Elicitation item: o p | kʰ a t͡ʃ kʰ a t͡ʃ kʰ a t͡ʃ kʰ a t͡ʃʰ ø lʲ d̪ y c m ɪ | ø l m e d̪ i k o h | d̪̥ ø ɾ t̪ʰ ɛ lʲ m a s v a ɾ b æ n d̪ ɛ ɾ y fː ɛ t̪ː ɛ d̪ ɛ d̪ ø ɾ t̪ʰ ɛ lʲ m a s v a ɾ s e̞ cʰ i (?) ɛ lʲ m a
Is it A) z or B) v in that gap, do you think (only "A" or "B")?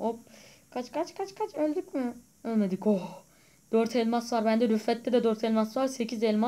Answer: A